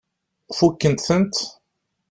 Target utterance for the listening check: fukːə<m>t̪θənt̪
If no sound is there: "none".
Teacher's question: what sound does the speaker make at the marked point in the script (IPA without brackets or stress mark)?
n